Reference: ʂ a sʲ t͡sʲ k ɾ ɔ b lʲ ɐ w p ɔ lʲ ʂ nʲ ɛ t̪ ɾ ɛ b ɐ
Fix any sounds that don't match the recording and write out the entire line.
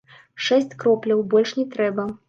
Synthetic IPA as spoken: ʂ ɛ sʲ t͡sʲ k ɾ ɔ p lʲ ɐ w b ɔ lʲ ʂ nʲ ɛ t̪ ɾ ɛ b ɐ